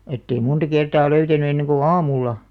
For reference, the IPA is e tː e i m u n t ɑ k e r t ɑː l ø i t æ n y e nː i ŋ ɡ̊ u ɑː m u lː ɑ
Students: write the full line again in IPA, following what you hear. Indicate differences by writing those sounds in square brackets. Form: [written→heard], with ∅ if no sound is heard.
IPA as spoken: e tː e i m u n t ɑ k e r t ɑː l ø [i→y] t æ n y e nː [i→e] ŋ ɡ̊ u ɑː m u lː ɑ